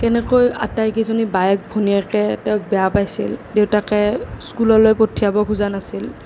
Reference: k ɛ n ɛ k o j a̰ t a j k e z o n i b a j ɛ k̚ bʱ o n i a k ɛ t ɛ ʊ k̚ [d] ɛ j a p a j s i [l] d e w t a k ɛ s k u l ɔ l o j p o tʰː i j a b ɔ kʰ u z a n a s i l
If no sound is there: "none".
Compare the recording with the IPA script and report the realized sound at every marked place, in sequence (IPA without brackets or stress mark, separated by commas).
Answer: b, l